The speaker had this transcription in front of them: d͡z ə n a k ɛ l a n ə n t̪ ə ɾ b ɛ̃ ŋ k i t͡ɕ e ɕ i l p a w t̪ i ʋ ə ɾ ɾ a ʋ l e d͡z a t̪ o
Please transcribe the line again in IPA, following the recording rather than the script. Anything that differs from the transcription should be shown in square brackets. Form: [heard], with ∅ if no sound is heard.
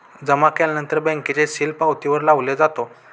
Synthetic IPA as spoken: d͡z ə [m] a k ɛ l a n ə n t̪ ə ɾ b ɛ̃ ŋ k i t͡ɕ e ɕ i l p a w t̪ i ʋ ə ɾ [l] a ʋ l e d͡z a t̪ o